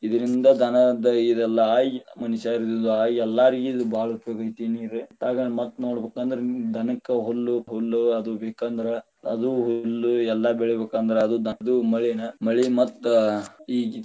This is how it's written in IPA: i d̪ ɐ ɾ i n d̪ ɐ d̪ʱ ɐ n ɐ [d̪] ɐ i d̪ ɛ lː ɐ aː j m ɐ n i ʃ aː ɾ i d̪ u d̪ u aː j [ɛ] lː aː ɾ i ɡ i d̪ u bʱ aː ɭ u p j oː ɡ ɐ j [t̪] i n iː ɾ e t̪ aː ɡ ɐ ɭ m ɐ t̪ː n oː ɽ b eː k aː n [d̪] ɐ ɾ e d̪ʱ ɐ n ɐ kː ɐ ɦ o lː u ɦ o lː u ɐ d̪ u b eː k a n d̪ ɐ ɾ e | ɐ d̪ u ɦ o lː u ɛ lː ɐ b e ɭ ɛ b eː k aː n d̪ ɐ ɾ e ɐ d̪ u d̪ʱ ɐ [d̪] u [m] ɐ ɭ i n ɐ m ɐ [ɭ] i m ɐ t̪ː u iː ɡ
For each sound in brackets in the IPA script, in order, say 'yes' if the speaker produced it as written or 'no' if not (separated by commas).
yes, yes, yes, yes, yes, yes, yes